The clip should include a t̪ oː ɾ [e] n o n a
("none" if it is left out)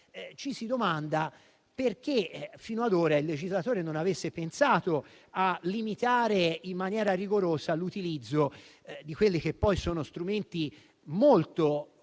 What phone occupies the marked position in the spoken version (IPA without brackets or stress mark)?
e